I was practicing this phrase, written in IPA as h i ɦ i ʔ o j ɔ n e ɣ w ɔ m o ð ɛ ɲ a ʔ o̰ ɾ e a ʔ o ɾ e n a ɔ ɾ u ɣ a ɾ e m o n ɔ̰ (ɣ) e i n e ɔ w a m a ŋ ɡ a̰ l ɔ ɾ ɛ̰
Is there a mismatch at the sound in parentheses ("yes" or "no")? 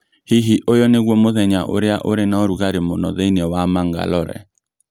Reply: yes